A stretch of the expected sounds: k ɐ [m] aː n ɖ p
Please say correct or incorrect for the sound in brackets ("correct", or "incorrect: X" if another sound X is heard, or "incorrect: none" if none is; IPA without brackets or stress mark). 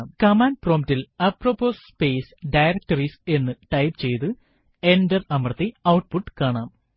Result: correct